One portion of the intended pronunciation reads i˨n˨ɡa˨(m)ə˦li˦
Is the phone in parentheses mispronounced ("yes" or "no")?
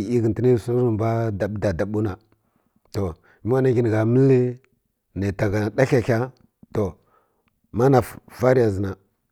no